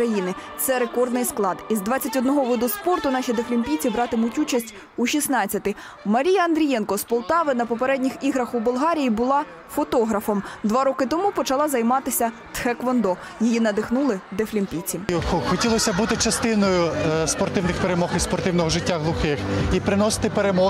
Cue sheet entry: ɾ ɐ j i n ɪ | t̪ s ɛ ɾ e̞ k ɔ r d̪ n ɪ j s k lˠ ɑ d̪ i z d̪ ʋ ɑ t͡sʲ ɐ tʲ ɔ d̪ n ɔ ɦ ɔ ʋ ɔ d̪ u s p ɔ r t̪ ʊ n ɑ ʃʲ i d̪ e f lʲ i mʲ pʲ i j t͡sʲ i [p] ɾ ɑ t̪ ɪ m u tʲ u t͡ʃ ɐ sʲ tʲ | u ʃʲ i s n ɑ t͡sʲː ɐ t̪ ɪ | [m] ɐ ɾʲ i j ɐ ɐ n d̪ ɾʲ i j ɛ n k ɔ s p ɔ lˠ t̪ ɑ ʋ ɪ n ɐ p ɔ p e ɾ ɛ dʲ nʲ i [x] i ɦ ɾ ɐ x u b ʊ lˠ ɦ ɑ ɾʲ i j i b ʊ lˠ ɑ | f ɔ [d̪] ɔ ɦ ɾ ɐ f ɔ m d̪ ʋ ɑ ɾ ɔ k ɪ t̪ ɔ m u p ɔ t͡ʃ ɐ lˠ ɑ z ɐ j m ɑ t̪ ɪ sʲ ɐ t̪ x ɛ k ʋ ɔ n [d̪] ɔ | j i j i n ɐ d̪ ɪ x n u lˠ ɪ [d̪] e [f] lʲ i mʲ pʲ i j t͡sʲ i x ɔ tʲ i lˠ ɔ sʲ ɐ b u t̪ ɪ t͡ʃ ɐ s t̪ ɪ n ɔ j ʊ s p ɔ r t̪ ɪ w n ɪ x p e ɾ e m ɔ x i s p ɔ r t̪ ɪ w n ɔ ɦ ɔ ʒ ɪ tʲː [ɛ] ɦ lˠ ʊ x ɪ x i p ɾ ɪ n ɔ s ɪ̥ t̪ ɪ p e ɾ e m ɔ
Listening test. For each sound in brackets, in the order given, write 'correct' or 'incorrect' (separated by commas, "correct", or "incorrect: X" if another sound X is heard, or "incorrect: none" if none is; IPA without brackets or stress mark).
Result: incorrect: b, correct, correct, incorrect: t̪, correct, correct, correct, incorrect: a